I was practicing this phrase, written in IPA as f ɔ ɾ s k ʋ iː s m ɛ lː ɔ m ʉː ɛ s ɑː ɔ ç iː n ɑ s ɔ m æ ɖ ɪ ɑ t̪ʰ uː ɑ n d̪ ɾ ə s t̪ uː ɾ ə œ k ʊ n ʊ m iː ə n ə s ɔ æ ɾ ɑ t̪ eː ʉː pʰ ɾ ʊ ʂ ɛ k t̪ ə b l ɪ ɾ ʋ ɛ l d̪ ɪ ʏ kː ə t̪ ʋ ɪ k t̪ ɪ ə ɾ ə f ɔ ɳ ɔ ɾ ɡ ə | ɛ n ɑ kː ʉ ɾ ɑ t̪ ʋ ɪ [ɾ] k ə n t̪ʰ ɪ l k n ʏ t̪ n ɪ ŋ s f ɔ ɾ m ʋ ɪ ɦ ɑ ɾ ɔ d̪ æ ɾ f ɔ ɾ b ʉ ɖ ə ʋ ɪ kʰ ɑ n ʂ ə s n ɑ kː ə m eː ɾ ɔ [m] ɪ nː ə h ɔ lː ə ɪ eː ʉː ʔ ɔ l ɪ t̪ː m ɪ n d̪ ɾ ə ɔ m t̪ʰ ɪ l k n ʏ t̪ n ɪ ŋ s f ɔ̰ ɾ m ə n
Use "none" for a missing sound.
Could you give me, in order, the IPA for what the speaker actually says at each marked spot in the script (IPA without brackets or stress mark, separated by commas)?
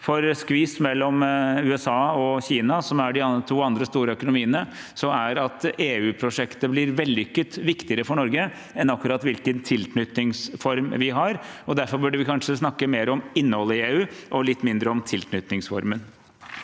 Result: l, m